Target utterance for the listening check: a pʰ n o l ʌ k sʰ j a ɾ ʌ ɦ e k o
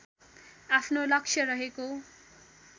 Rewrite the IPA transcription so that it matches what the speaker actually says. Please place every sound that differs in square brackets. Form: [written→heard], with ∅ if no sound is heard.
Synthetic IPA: a pʰ n o l ʌ k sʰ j [a→ʌ] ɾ ʌ ɦ e k o